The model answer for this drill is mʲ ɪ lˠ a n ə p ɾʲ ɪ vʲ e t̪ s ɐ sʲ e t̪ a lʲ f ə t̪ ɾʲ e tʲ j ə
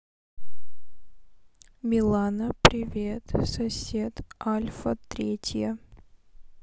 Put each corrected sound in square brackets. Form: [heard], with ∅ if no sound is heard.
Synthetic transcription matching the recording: mʲ ɪ lˠ a n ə p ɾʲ ɪ vʲ e t̪ s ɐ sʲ e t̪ a lʲ f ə t̪ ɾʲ e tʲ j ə